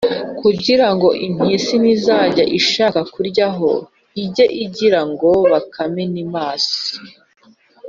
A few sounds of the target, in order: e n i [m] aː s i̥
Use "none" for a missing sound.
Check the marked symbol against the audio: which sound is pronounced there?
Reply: m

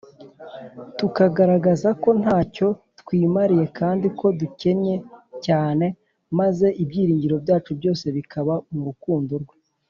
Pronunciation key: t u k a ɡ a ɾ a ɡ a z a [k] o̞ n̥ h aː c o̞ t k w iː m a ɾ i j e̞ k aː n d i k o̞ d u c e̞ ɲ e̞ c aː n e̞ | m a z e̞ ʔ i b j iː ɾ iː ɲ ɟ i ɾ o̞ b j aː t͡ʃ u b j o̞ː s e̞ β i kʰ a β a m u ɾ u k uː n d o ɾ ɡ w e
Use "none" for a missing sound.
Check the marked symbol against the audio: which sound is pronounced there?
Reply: k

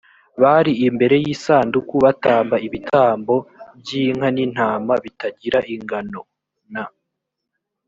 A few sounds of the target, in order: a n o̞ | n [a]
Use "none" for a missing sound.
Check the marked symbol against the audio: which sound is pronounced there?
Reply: a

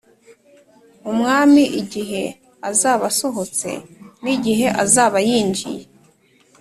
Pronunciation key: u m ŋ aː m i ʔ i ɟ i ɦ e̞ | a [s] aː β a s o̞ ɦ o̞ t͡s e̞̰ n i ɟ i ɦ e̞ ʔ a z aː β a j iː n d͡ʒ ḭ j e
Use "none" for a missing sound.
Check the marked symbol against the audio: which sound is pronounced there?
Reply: z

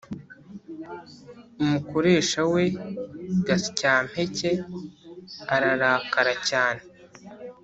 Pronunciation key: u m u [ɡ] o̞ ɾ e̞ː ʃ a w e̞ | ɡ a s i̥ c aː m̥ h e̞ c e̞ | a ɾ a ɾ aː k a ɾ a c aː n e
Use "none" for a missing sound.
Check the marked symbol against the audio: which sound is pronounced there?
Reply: k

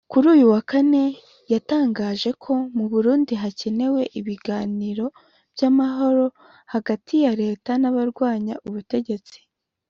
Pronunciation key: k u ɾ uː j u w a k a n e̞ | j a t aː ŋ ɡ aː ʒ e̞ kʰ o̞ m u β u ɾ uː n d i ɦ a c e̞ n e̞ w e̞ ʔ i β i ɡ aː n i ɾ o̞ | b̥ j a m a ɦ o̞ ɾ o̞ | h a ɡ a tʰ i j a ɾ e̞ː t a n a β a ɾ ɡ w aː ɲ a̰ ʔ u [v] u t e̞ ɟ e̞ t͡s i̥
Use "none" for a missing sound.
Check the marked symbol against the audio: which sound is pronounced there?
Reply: β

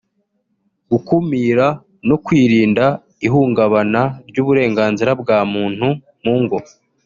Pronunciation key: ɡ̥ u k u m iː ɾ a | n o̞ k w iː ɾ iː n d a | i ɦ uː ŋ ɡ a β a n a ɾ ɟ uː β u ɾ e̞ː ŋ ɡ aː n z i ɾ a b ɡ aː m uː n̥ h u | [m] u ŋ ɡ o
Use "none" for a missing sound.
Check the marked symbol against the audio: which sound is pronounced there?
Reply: m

